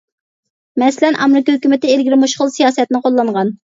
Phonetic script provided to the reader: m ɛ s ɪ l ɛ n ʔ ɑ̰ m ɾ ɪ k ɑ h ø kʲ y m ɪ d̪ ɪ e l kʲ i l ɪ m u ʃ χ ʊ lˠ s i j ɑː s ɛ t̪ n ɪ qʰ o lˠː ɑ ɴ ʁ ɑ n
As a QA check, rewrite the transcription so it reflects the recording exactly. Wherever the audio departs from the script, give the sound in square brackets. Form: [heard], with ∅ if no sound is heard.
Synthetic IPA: m ɛ s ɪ l ɛ n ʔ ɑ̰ m ɾ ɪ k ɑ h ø kʲ y m ɪ [t̪] ɪ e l [ɡʲ] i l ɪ m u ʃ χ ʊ lˠ s i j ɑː s ɛ t̪ n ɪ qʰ o lˠː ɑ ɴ ʁ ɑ n

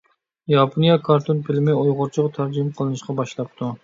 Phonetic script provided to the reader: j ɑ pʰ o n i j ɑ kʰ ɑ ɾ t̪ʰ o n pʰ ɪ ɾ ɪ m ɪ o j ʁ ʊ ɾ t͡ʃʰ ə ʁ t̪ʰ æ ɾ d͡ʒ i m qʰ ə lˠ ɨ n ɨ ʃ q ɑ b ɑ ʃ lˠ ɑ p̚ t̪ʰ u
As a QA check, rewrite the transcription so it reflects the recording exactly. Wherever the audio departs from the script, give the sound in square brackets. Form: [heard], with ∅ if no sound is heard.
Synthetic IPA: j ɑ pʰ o n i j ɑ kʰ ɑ ɾ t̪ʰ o n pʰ ɪ [l] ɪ m ɪ o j ʁ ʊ ɾ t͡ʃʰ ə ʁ t̪ʰ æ ɾ d͡ʒ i m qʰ ə lˠ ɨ n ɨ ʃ q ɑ b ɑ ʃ lˠ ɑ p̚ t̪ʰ u

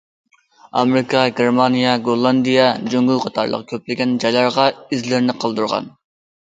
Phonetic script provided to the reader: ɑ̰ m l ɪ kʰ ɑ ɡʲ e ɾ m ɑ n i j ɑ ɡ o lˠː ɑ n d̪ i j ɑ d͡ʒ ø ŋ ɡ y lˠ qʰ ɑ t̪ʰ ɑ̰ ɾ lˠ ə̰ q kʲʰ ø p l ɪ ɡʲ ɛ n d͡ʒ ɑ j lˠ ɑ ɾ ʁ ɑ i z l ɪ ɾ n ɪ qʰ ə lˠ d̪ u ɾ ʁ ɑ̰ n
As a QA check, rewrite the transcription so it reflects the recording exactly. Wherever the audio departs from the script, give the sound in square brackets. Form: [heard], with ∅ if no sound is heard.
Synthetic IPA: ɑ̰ m [ɾ] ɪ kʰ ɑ ɡʲ e ɾ m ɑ n i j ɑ ɡ o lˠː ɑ n d̪ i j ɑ d͡ʒ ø ŋ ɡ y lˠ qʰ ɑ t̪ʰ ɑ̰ ɾ lˠ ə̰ q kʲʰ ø p l ɪ ɡʲ ɛ n d͡ʒ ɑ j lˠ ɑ ɾ ʁ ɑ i z l ɪ ɾ n ɪ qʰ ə lˠ d̪ u ɾ ʁ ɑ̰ n

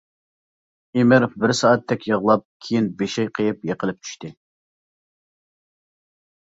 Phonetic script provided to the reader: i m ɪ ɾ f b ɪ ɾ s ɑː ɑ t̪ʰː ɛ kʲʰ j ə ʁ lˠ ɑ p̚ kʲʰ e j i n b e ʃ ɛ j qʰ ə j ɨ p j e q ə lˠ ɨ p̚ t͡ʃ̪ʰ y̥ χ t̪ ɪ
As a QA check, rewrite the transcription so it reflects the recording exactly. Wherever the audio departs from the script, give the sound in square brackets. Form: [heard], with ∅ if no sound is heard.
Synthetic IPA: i m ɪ ɾ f b ɪ ɾ s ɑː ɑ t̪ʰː ɛ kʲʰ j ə ʁ lˠ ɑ p̚ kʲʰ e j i n b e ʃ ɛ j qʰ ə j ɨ p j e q ə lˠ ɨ p̚ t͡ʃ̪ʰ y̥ [ʃ] t̪ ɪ

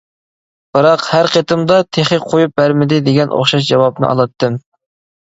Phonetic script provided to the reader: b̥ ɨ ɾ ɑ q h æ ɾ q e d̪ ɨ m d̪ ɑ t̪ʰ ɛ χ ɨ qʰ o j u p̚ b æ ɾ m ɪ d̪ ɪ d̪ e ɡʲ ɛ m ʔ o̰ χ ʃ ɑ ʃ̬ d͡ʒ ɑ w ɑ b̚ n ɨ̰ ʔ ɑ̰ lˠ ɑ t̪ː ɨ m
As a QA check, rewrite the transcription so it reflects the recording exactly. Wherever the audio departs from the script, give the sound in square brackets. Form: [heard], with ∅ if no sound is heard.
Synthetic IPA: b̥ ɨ ɾ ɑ q h æ ɾ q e [t̪] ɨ m d̪ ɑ t̪ʰ [e] χ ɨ qʰ o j u p̚ b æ ɾ m ɪ d̪ ɪ d̪ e ɡʲ ɛ [n] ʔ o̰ χ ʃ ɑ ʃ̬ d͡ʒ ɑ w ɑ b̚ n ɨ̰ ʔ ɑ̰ lˠ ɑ t̪ː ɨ m

